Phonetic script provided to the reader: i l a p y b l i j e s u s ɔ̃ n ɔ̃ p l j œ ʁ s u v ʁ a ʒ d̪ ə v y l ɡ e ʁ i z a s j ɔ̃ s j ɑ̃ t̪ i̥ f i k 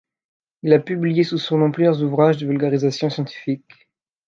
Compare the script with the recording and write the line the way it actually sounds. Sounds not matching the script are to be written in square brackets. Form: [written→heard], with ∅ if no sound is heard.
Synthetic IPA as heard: i l a p y b l i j e s u s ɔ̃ n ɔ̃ p l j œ ʁ [s→z] u v ʁ a ʒ d̪ ə v y l ɡ [e→a] ʁ i z a s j ɔ̃ s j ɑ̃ t̪ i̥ f i k